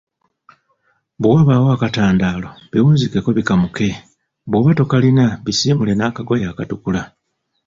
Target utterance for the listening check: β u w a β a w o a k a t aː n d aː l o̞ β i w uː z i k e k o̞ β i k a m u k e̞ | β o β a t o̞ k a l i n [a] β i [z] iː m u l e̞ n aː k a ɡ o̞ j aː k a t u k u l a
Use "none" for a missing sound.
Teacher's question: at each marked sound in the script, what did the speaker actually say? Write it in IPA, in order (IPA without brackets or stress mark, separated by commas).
a, s